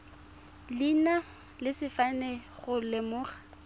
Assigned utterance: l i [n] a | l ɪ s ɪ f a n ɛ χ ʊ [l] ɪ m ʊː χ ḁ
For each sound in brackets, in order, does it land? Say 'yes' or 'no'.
yes, yes

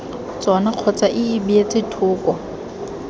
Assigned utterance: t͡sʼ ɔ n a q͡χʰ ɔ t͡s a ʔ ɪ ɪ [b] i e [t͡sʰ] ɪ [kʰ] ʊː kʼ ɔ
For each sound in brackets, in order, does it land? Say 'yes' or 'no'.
yes, no, no

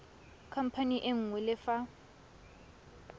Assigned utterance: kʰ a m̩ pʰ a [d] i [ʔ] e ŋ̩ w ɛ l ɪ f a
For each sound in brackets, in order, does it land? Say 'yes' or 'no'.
no, yes

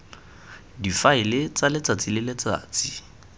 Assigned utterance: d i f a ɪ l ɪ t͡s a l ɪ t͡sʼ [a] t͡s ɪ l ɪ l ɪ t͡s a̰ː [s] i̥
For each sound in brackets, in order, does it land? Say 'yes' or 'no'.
yes, no

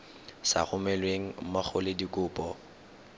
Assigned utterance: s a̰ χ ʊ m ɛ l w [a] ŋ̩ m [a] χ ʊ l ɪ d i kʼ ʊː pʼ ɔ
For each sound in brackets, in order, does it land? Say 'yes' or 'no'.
no, yes

